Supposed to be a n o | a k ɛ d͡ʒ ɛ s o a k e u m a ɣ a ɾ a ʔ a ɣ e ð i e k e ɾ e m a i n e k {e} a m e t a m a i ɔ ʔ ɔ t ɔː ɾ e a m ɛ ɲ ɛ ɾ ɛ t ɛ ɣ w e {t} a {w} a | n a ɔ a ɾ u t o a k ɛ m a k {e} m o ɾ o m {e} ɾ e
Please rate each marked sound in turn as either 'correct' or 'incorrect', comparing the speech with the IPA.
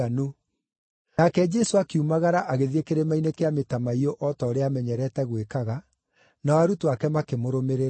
correct, incorrect: k, incorrect: ɣ, correct, correct

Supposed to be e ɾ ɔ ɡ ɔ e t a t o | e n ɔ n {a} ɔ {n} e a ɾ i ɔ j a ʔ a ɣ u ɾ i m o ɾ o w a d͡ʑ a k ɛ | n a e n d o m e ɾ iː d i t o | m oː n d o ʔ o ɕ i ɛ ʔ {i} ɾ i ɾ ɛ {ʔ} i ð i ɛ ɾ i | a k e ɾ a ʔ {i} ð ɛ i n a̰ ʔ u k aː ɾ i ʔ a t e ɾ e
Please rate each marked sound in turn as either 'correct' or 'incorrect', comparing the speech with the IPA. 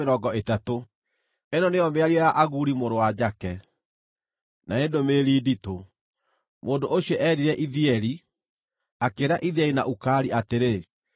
incorrect: e, incorrect: m, incorrect: ɛ, correct, correct

